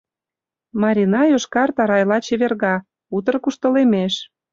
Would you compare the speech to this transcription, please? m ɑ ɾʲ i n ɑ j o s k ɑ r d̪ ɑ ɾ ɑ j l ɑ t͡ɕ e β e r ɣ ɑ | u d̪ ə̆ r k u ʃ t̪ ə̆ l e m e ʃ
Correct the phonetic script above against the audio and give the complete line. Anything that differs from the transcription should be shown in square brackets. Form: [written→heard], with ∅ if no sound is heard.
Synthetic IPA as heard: m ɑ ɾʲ i n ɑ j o [s→ʃ] k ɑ r [d̪→t̪] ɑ ɾ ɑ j l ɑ t͡ɕ e β e r ɣ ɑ | u [d̪→t̪] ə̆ r k u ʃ t̪ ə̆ l e m e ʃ